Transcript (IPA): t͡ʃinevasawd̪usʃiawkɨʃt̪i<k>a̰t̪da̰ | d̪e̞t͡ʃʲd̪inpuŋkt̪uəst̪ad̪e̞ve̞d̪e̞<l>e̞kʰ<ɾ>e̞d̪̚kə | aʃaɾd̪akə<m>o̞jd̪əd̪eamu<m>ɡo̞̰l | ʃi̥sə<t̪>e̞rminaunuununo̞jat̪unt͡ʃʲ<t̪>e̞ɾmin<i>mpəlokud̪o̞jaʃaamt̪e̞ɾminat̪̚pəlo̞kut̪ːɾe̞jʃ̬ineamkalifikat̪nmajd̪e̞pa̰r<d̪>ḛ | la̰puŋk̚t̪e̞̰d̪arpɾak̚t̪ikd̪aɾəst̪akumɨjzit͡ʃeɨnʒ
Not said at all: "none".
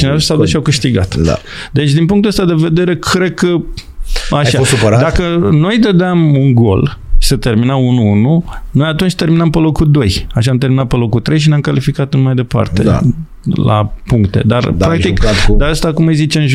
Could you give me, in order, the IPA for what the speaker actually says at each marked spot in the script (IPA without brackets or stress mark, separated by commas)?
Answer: ɡ, ɾ, ɾ, n, ŋ, t̪, t̪, a, t̪